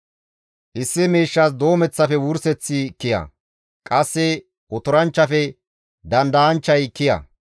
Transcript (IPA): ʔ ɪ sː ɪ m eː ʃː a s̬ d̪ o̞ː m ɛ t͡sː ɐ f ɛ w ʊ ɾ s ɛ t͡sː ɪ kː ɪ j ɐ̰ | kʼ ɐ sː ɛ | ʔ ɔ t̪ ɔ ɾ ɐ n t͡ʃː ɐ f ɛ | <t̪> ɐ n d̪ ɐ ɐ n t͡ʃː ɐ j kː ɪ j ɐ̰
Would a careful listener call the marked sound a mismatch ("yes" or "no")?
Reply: yes